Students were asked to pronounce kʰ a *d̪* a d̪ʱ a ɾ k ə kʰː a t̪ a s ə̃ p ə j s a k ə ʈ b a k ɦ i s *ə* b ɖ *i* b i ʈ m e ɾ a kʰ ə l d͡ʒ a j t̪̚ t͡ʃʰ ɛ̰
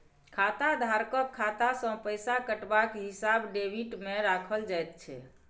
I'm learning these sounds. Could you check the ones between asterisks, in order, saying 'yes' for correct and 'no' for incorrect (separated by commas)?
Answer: no, no, no